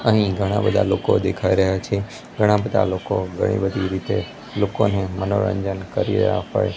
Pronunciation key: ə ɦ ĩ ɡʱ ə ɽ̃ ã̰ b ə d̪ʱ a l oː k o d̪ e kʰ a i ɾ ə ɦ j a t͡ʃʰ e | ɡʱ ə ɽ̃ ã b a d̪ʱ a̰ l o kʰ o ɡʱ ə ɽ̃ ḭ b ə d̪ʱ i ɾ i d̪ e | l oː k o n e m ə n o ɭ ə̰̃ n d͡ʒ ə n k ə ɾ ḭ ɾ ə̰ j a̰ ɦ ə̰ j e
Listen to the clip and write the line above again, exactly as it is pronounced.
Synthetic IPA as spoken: ə ɦ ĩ ɡʱ ə ɽ̃ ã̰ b ə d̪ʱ a l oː k o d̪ e kʰ a i ɾ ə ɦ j a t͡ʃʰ e | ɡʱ ə ɽ̃ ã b ə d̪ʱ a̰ l o k o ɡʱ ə ɽ̃ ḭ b ə d̪ʱ i ɾ i t̪ e | l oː k o n e m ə n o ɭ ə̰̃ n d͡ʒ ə n k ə ɾ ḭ ɾ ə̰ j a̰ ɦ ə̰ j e